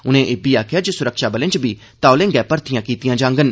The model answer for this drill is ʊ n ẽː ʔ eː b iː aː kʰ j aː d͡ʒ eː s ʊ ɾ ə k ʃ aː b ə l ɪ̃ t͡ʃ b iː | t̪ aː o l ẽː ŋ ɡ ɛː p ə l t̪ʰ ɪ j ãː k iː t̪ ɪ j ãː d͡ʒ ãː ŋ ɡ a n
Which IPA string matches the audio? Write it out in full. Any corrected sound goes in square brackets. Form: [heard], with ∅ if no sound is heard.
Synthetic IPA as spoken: ʊ n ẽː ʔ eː b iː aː kʰ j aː d͡ʒ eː s ʊ ɾ ə k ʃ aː b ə l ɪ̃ t͡ʃ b iː | t̪ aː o l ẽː ŋ ɡ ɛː p ə [ɾ] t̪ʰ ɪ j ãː k iː t̪ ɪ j ãː d͡ʒ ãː ŋ ɡ [ə] n